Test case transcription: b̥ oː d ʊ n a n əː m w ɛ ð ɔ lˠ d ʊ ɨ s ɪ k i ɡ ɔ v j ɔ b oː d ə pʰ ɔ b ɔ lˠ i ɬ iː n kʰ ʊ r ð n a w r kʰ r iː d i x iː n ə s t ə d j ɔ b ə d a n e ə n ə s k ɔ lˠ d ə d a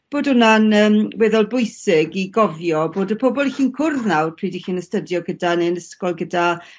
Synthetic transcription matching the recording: b̥ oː d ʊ n a n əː m w ɛ ð ɔ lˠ b ʊ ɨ s ɪ ɡ i ɡ ɔ v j ɔ b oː d ə pʰ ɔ b ɔ lˠ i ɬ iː n kʰ ʊ r ð n a w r pʰ r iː d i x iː n ə s t ə d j ɔ ɡ ə d a n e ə n ə s k ɔ lˠ ɡ ə d a